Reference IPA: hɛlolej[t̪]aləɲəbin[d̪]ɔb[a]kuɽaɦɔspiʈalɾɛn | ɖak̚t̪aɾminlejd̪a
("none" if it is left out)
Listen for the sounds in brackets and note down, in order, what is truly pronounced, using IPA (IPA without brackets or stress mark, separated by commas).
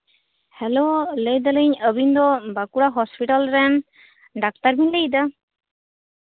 d̪, d̪, a